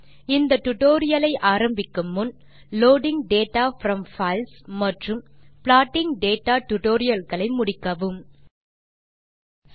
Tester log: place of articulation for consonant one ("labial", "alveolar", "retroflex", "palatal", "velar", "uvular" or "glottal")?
alveolar